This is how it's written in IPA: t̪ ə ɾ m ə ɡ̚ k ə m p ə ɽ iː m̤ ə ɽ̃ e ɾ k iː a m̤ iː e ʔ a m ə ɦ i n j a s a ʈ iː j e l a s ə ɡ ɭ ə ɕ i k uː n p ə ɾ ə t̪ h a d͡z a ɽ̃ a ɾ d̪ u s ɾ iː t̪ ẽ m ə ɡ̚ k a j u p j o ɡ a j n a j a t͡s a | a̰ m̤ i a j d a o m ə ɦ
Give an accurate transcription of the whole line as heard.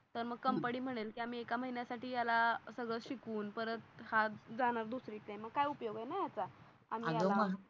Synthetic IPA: t̪ ə ɾ m ə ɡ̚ k ə m p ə ɽ iː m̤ ə ɽ̃ e l k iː a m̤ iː e k a m ə ɦ i n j a s a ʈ iː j a l a s ə ɡ ɭ ə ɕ i k uː n p ə ɾ ə t̪ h a d͡z a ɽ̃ a ɾ d̪ u s ɾ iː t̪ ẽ m ə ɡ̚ k a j u p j o ɡ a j n a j a t͡s a | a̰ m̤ i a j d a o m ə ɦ